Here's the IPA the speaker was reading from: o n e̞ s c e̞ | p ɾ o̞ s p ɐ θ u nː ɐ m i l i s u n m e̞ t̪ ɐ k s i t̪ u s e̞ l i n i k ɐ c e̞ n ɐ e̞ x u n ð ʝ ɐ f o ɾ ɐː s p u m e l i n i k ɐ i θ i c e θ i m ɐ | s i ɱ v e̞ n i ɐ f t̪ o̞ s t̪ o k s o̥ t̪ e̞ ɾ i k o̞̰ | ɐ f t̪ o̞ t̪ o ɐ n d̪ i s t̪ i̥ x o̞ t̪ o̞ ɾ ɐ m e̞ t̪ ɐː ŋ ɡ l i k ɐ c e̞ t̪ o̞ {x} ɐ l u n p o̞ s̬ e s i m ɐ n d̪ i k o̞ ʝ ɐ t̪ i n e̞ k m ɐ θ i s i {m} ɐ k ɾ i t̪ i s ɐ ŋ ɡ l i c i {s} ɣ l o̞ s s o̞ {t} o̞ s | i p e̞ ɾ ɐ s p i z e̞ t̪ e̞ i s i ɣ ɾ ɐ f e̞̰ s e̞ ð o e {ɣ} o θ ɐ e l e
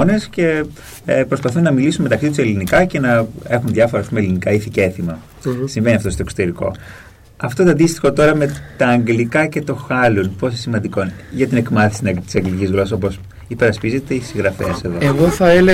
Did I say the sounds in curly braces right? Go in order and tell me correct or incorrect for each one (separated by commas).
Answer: correct, incorrect, incorrect, incorrect, correct